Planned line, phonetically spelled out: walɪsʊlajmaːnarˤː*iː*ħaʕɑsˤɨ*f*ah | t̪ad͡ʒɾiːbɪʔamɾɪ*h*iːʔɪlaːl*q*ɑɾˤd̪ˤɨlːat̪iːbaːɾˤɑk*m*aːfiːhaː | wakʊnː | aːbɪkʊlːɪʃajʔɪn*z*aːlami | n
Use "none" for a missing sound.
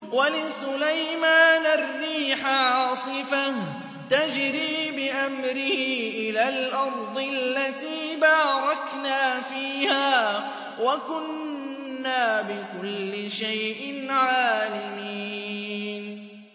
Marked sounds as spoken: iː, f, h, ʔ, n, ʕ

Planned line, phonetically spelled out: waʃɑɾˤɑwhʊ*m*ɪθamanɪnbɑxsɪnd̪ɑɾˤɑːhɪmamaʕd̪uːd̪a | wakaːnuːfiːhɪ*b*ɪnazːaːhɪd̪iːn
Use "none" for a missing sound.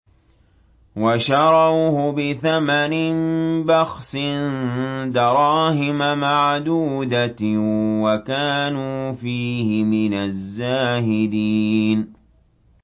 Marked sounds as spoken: b, m

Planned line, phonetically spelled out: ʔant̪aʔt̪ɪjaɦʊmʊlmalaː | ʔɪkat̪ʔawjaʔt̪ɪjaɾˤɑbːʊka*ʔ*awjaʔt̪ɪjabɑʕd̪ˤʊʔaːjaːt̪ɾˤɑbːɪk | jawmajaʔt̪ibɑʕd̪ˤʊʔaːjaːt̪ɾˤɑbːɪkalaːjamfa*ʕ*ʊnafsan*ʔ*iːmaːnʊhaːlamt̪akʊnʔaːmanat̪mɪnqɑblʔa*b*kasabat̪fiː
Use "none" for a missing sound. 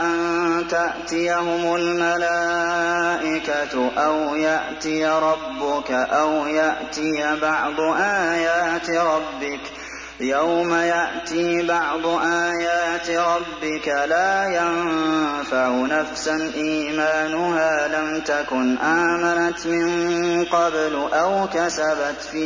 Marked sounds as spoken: ʔ, ʕ, ʔ, w

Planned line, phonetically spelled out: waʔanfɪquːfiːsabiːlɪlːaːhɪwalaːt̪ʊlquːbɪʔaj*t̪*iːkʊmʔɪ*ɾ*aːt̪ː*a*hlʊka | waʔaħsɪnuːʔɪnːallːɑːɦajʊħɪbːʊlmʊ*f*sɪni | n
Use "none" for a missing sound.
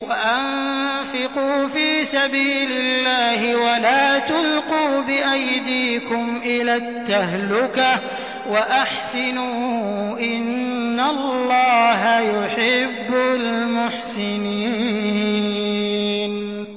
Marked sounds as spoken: d̪, l, a, ħ

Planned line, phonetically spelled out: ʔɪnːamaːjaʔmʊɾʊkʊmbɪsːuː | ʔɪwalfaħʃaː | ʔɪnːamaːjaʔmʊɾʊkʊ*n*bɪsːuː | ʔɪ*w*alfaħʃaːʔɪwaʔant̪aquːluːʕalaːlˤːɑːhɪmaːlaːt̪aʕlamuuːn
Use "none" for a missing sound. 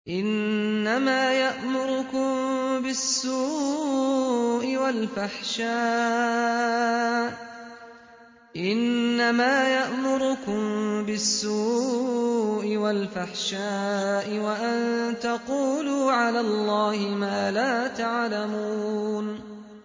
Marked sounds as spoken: m, w

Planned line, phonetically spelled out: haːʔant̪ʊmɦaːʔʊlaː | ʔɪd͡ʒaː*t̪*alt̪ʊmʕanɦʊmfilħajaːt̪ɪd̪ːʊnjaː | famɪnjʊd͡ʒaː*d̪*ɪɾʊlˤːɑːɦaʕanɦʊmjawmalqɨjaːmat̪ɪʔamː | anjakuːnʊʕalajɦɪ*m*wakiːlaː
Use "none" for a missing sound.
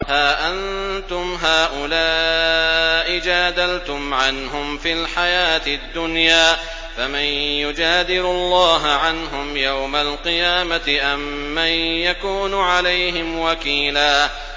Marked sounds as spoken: d̪, d̪, m

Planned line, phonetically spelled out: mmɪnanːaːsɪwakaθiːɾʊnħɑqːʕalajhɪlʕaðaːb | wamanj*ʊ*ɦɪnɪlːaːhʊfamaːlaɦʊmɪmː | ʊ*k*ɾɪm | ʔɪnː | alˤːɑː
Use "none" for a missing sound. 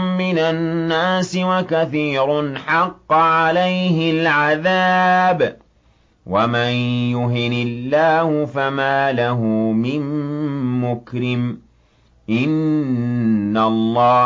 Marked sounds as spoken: ʊ, k

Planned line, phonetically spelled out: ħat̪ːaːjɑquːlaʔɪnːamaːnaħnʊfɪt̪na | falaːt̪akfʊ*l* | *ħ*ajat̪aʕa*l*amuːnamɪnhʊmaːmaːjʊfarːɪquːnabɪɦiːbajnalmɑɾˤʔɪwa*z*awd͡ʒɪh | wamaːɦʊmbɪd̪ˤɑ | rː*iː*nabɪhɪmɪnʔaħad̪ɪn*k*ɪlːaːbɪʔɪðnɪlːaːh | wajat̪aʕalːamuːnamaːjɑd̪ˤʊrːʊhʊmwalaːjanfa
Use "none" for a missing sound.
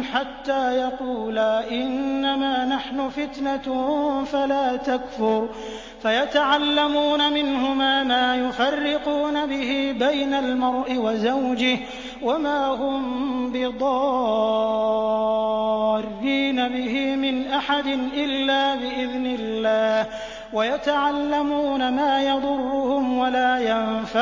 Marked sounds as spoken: ɾ, f, lː, z, iː, ʔ

